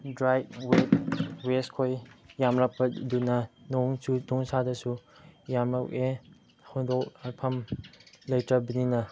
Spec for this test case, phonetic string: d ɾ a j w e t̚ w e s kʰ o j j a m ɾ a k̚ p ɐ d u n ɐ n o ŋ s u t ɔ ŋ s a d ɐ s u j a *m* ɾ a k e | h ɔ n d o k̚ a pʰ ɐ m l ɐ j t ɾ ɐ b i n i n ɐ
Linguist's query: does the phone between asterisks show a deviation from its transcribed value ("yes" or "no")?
no